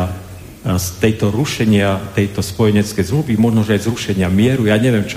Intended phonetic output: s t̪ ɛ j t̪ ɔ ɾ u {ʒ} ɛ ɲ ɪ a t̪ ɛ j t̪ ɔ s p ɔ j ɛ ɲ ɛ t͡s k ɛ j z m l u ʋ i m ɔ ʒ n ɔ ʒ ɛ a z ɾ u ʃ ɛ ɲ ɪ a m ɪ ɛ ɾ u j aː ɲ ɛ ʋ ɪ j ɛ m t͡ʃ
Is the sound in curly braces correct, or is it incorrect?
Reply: incorrect